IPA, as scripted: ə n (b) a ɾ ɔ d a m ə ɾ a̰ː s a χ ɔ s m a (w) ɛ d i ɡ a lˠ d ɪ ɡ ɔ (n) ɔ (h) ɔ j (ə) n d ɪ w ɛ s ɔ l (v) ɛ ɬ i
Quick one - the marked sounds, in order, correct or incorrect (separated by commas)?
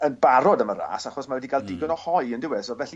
correct, correct, correct, correct, correct, correct